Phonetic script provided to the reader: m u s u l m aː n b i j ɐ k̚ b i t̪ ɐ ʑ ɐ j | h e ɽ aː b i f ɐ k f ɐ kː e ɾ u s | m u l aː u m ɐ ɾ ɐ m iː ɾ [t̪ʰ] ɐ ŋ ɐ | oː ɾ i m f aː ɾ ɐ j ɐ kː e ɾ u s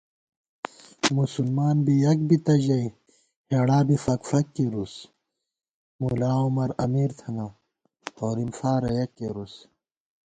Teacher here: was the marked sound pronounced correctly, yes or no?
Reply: yes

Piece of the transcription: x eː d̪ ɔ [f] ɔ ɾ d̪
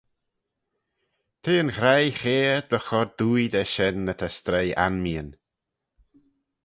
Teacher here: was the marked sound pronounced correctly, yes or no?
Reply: no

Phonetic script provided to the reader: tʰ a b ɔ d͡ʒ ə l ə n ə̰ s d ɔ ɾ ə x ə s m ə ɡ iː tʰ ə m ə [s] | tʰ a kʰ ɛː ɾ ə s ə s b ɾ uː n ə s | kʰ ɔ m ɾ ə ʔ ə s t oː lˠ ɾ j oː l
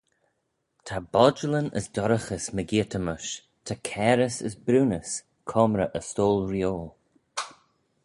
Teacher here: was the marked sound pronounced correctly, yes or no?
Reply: no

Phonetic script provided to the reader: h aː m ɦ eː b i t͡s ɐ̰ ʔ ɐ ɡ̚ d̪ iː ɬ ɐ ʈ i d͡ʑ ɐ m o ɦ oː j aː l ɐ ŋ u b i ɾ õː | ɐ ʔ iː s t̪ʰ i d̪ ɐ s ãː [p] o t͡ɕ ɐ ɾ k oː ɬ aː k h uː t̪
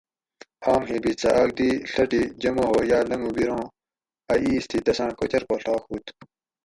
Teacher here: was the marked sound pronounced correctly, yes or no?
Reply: no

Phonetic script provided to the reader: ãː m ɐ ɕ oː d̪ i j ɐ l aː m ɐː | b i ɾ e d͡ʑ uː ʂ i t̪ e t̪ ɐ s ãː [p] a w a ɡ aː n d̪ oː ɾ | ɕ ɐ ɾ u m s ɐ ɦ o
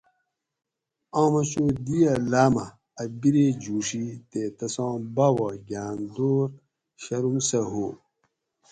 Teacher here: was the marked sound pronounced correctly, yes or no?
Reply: no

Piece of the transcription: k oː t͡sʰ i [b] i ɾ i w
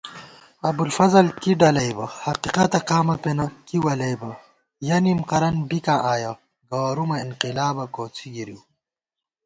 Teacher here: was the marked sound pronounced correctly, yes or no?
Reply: no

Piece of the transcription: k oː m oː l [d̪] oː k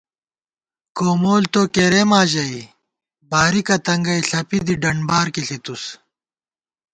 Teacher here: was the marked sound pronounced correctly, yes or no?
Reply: no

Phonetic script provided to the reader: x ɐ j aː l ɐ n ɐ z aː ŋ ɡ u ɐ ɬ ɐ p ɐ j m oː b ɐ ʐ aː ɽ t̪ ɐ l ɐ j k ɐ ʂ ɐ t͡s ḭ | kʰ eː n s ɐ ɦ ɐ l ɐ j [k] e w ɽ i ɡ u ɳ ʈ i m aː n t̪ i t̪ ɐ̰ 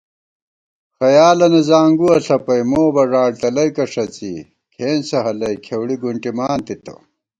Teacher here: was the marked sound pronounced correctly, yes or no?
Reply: no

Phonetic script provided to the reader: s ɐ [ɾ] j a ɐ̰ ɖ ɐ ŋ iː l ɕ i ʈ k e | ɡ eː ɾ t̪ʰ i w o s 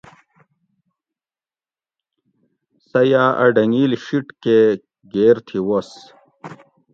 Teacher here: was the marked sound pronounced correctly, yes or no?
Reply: no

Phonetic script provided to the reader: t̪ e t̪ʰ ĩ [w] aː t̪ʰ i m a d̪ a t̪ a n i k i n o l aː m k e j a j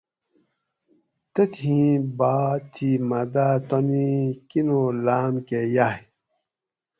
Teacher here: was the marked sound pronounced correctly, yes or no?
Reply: no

